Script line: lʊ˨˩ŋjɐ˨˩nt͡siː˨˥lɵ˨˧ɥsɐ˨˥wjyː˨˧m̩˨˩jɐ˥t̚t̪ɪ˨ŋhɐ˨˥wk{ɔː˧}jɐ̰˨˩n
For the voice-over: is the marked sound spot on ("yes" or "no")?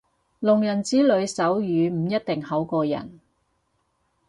yes